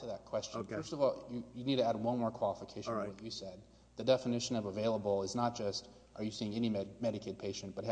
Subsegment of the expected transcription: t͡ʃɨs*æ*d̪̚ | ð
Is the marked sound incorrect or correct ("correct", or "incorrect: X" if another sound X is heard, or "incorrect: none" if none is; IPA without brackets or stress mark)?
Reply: incorrect: ɛ